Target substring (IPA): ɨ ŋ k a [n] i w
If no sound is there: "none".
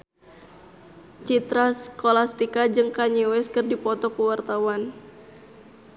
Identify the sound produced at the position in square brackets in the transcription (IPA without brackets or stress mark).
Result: ɲ